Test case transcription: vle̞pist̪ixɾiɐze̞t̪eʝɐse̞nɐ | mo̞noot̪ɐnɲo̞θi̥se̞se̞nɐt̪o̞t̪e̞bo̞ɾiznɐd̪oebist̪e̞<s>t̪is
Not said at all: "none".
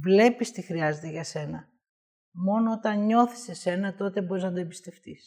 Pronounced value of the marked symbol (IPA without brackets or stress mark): f